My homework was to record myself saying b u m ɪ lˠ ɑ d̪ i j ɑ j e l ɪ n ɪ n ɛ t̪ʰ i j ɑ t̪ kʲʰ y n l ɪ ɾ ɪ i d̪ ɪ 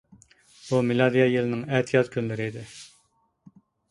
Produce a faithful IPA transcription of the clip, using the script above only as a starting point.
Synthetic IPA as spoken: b u m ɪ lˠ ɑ d̪ i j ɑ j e l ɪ n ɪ ŋ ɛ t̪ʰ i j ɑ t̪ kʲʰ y n l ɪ ɾ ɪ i d̪ ɪ